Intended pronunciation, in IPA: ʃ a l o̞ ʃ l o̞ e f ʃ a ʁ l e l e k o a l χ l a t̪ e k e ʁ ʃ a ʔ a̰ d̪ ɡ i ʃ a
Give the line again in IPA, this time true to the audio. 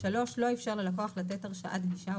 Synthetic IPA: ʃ a l o̞ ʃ l o̞ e f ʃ a ʁ l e l a k o a χ l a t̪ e t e ʁ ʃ a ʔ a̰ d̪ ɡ i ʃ a